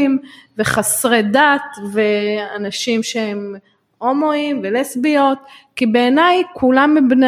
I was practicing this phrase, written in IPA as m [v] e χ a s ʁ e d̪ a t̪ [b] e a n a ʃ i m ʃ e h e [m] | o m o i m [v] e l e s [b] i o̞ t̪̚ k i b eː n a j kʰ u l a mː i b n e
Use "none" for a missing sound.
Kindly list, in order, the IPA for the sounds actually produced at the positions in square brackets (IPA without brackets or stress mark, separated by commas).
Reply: v, v, m, v, b